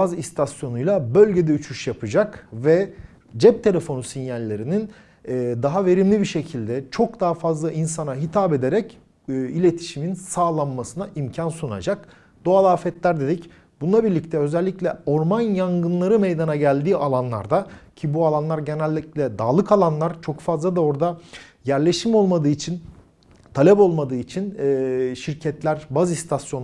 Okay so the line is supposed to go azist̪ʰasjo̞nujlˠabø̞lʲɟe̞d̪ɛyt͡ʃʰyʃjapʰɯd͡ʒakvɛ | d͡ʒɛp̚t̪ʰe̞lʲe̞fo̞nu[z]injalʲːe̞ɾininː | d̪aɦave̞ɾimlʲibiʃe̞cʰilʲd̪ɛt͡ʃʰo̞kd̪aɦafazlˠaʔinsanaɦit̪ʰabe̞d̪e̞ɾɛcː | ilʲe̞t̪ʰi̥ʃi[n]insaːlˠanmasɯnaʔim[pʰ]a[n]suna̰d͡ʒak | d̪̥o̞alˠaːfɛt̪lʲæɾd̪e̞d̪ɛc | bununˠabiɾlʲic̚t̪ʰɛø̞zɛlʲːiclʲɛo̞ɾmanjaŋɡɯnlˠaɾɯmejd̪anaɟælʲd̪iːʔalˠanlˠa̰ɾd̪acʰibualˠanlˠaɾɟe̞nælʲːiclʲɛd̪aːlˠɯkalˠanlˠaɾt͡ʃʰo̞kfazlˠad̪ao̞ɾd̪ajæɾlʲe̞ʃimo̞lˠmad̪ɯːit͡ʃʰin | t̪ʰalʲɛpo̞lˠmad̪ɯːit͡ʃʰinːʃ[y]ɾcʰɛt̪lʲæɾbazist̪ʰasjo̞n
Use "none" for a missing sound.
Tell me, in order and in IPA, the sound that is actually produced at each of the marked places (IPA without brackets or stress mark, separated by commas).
s, m, cʰ, n, i